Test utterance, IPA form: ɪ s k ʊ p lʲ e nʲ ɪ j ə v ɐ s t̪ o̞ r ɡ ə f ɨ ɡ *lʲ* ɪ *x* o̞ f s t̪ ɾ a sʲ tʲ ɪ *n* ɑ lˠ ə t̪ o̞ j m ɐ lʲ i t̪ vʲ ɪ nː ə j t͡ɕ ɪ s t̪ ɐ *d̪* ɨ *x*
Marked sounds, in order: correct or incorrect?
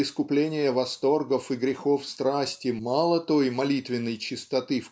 incorrect: ɾʲ, correct, incorrect: m, incorrect: t̪, incorrect: f

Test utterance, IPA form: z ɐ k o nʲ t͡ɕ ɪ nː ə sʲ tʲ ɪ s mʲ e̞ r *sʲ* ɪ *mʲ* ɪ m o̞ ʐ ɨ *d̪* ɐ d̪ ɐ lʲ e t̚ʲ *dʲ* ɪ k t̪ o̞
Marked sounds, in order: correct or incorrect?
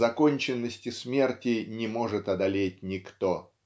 incorrect: tʲ, incorrect: nʲ, incorrect: t̪, incorrect: nʲ

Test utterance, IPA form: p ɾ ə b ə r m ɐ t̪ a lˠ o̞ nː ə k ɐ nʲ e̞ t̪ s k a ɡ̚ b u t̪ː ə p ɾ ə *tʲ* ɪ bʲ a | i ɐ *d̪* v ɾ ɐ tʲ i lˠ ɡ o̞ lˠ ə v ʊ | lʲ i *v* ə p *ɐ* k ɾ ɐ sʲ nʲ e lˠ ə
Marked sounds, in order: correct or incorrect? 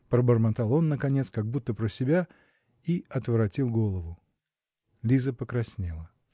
incorrect: sʲ, incorrect: t̪, incorrect: z, incorrect: ə

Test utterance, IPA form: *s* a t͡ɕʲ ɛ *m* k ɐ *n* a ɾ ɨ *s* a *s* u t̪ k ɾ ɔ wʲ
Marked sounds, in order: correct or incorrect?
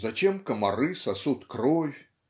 incorrect: z, correct, incorrect: m, correct, correct

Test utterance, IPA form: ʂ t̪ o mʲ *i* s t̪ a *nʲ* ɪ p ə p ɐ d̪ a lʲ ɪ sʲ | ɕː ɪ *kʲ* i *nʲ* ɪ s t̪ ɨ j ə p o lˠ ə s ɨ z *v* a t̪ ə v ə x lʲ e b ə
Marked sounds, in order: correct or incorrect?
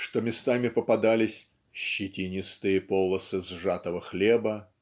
incorrect: ɪ, incorrect: mʲ, incorrect: tʲ, correct, incorrect: ʐ

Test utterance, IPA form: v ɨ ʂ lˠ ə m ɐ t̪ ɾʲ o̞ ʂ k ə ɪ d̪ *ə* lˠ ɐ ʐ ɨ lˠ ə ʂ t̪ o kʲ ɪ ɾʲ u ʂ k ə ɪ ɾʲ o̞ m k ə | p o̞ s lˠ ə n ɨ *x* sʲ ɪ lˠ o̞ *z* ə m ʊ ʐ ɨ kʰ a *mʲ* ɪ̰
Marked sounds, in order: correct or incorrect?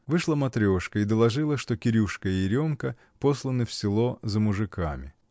correct, incorrect: f, correct, correct

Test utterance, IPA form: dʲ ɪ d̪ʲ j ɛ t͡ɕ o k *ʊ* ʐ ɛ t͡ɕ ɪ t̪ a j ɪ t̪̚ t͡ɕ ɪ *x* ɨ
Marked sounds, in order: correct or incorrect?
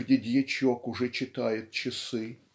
correct, incorrect: s

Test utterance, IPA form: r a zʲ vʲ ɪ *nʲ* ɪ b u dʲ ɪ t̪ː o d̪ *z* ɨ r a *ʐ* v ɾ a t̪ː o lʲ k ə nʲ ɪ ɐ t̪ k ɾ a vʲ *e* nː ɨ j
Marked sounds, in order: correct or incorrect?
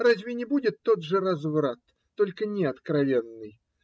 correct, incorrect: ʐ, incorrect: z, correct

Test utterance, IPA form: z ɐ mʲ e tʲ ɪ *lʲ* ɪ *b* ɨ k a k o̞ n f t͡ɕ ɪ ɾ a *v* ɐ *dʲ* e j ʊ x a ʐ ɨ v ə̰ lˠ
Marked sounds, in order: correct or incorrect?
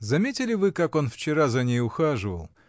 correct, incorrect: v, incorrect: z, incorrect: nʲ

